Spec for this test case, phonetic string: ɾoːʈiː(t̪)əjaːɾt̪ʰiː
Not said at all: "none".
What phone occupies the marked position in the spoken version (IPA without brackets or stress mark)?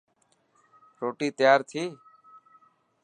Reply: t̪